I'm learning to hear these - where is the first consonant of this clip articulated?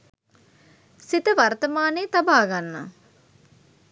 tongue tip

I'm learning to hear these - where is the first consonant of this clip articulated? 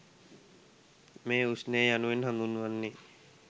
lips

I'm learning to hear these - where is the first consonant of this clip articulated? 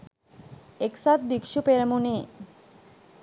velum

